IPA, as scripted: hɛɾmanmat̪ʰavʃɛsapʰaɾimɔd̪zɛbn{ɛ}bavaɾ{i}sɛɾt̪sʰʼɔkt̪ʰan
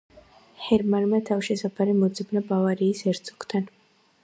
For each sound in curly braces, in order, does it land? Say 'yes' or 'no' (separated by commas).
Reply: no, no